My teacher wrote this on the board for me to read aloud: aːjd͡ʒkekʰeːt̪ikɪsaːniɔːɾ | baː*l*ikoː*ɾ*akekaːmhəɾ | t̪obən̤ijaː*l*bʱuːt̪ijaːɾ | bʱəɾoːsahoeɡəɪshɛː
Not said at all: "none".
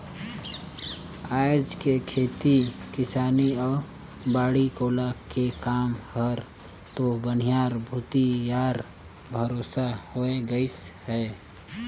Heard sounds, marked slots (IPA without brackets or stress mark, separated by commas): ɽ, l, ɾ